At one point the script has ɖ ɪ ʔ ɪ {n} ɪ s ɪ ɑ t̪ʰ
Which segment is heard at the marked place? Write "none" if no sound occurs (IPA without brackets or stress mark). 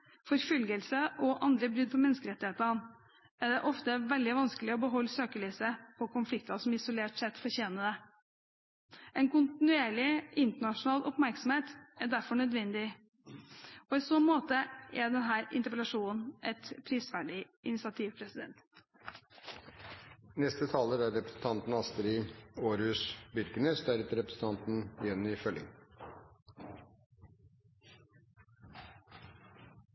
n